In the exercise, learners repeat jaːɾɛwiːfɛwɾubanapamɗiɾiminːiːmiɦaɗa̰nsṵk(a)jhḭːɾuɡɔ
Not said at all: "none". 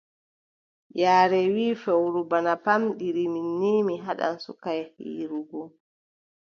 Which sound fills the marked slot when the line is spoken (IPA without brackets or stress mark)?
a